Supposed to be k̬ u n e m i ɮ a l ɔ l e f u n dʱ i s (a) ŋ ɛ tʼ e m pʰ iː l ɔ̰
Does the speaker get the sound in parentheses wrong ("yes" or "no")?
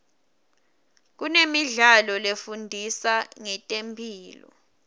no